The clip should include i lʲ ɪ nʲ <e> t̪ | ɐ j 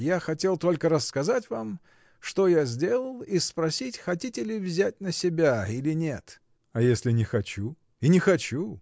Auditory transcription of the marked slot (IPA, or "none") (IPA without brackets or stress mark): e